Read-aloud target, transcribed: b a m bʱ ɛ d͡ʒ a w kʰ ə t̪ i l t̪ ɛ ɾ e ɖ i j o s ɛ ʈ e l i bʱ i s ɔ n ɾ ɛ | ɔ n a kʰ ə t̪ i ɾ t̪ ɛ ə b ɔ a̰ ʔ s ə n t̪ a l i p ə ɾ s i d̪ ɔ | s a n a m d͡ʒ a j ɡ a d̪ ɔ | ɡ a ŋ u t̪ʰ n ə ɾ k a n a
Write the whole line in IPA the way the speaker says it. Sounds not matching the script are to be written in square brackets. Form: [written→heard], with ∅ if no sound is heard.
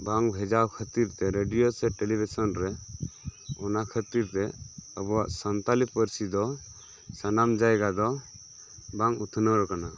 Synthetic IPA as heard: b a [m→ŋ] bʱ ɛ d͡ʒ a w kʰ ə t̪ i [l→ɾ] t̪ ɛ ɾ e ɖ i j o s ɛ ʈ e l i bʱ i s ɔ n ɾ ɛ | ɔ n a kʰ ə t̪ i ɾ t̪ ɛ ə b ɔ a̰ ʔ s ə n t̪ a l i p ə ɾ s i d̪ ɔ | s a n a m d͡ʒ a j ɡ a d̪ ɔ | [ɡ→b] a ŋ u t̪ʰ n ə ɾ k a n a